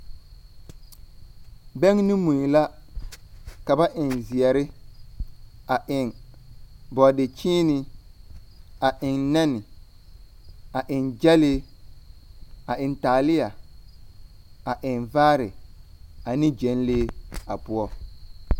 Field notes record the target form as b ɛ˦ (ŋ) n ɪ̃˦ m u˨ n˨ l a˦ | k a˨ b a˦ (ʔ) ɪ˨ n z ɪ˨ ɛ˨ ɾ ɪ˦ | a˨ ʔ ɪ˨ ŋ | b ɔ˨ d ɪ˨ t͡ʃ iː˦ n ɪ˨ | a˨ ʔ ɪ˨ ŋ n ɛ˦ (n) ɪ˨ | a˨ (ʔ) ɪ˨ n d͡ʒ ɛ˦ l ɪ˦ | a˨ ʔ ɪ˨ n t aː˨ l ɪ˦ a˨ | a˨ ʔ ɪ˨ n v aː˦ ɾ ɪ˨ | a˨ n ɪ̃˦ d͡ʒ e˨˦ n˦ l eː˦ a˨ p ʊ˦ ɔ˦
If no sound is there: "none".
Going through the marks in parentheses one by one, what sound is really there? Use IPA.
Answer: ŋ, ʔ, n, ʔ

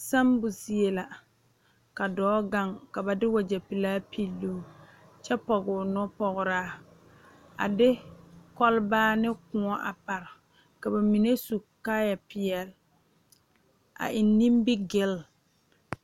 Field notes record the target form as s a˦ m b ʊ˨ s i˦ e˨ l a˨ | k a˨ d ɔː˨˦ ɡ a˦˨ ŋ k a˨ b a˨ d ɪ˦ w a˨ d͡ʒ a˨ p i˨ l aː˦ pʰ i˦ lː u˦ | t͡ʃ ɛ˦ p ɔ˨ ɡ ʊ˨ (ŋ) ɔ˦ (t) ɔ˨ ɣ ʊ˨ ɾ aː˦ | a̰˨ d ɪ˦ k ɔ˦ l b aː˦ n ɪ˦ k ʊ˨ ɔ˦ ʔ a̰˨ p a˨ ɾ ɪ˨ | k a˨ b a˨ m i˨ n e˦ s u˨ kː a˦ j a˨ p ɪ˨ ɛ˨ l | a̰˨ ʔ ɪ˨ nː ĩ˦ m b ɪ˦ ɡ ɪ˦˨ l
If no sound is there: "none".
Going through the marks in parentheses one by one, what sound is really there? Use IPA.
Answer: n, p

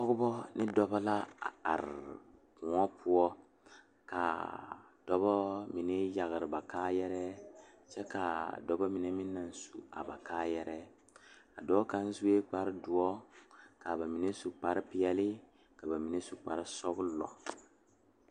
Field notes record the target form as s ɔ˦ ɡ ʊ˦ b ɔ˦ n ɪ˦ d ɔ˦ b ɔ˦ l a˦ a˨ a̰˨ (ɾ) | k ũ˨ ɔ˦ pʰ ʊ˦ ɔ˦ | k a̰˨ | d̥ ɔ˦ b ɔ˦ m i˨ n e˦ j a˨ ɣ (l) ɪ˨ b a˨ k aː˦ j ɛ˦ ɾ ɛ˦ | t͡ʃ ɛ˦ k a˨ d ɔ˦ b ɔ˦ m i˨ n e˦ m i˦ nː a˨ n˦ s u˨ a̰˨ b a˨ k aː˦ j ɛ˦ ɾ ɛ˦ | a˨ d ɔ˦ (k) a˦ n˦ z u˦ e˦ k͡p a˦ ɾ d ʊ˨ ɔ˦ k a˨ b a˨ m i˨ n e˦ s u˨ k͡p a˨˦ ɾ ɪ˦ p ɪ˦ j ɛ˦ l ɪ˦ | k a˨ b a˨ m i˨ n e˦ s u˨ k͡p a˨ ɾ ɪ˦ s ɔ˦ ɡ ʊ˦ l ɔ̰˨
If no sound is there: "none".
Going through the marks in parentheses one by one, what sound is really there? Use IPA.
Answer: ɾ, ɾ, k

